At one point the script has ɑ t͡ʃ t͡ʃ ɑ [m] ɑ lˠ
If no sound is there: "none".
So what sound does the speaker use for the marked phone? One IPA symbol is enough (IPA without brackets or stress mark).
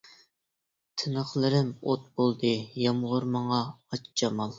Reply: m